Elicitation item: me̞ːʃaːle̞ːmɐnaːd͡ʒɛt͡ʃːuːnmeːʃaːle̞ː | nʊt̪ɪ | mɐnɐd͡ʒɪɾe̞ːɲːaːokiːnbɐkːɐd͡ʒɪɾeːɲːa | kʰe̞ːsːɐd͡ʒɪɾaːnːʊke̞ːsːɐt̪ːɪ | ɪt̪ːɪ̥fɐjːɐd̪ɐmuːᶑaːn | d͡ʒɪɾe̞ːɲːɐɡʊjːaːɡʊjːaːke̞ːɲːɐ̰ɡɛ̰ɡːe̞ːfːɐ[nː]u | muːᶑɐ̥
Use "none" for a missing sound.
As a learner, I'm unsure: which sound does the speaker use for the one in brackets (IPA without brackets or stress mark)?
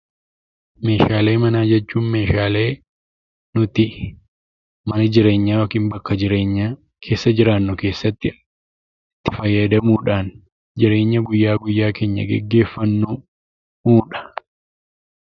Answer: nː